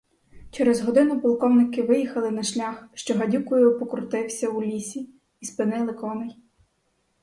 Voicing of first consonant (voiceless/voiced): voiceless